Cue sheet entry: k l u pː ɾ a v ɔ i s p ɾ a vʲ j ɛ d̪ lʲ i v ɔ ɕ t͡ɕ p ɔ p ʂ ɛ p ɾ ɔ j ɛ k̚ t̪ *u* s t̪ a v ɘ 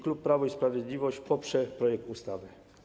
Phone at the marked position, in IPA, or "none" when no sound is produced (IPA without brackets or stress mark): u